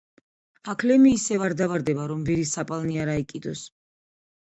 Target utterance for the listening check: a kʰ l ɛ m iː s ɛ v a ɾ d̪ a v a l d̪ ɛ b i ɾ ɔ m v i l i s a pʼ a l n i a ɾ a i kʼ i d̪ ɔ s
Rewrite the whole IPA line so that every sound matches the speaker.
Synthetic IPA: a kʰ l ɛ m iː s ɛ v a ɾ d̪ a v a ɾ d̪ ɛ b a ɾ ɔ m v i ɾ i s a pʼ a l n i a ɾ a i kʼ i d̪ ɔ s